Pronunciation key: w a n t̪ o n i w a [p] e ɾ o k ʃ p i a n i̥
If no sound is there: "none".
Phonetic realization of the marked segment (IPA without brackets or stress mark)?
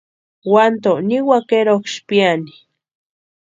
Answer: k